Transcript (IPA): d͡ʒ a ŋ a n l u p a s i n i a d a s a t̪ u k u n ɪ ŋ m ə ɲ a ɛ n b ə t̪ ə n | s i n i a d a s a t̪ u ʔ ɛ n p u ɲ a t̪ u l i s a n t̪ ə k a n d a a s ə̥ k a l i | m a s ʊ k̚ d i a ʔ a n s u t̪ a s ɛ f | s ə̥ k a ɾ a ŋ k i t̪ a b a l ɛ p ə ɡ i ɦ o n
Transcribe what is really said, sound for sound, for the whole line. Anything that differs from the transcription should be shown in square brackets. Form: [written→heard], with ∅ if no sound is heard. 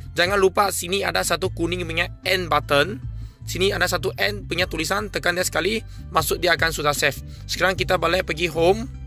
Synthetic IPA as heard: d͡ʒ a ŋ a n l u p a s i n i a d a s a t̪ u k u n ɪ ŋ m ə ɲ a ɛ n b [ə→a] t̪ ə n | s i n i a d a s a t̪ u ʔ ɛ n p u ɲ a t̪ u l i s a n t̪ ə k a n d [a→i] a s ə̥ k a l i | m a s ʊ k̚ d i a [ʔ→k] a n s u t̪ a s ɛ f | s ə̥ k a ɾ a ŋ k i t̪ a b a l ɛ p ə ɡ i ɦ o [n→m]